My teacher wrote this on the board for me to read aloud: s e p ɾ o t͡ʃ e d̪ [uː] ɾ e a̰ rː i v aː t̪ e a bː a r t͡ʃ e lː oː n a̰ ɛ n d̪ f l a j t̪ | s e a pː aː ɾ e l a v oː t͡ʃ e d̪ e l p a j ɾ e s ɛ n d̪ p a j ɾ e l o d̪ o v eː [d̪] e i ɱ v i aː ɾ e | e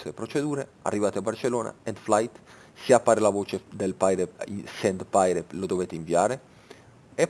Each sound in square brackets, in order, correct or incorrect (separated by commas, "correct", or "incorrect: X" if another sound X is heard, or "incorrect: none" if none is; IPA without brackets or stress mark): correct, incorrect: t̪